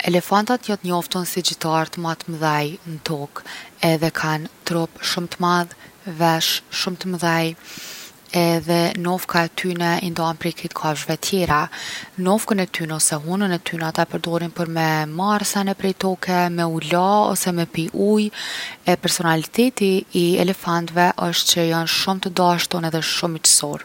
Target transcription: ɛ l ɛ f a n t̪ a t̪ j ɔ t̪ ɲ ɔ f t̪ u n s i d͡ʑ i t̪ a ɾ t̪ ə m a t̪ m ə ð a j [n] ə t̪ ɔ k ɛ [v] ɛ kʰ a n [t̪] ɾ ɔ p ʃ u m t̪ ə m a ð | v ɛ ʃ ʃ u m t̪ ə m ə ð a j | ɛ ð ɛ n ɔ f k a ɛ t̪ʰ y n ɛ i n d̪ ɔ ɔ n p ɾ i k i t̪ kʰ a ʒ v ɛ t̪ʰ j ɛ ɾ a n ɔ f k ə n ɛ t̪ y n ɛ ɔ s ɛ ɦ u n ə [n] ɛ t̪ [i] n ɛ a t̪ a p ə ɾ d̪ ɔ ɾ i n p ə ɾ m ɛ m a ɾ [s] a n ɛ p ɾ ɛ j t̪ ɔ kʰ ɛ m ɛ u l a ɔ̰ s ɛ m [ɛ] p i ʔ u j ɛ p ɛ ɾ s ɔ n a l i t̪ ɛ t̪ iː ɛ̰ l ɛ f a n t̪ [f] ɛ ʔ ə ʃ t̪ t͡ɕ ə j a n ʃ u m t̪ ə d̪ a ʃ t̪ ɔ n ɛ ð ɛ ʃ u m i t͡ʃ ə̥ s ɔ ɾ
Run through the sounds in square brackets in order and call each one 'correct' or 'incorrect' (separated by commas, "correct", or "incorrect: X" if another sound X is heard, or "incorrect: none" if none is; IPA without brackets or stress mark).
correct, incorrect: ð, correct, correct, incorrect: y, correct, correct, incorrect: v